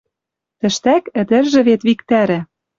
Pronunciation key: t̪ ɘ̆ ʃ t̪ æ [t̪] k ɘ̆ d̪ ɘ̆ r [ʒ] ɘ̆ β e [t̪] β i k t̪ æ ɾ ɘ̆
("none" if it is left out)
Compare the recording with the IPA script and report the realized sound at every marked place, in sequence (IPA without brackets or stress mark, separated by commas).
none, ʒ, t̪